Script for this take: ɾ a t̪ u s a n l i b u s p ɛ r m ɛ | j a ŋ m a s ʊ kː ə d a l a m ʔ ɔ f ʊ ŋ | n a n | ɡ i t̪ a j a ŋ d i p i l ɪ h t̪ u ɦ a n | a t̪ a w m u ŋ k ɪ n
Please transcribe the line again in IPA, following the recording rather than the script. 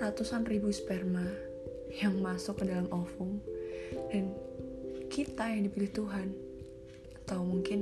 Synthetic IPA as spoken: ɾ a t̪ u s a n r i b u s p ɛ r m a | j a ŋ m a s ʊ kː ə d a l a m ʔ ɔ f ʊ ŋ | d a n | k i t̪ a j a ŋ d i p i l ɪ h t̪ u ɦ a n | a t̪ a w m u ŋ k ɪ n